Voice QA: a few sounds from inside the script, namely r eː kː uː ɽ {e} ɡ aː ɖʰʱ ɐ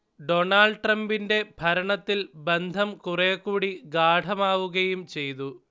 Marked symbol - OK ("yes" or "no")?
no